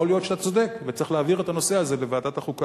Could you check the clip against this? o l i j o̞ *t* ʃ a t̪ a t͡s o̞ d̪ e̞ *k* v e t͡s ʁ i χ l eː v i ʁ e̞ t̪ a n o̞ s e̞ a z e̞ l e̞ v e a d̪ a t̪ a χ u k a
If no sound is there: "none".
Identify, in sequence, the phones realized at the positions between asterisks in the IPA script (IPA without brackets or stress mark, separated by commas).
t, k